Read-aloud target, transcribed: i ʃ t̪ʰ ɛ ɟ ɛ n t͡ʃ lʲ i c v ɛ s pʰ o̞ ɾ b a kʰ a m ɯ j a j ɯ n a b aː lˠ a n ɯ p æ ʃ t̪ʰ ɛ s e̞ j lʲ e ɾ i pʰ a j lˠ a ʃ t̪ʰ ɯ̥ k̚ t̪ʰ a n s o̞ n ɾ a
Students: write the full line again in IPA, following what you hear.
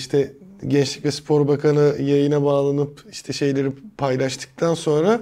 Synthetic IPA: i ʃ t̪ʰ ɛ ɟ ɛ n t͡ʃ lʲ i c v ɛ s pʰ o̞ ɾ b a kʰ a n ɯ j a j ɯ n a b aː lˠ a n ɯ p i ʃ t̪ʰ ɛ ʃ e̞ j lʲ e ɾ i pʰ a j lˠ a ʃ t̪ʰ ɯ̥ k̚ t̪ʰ a n s o̞ n ɾ a